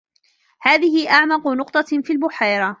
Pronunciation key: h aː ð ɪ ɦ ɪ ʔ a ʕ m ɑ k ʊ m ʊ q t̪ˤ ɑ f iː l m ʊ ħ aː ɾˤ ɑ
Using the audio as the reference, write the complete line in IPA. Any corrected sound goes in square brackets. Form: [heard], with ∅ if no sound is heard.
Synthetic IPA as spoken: h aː ð ɪ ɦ ɪ ʔ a ʕ m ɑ [q] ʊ [n] ʊ q t̪ˤ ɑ f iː l [b] ʊ ħ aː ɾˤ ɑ